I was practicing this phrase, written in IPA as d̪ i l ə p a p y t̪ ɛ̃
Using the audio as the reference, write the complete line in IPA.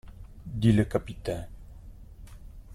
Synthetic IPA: d̪ i l ə k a p i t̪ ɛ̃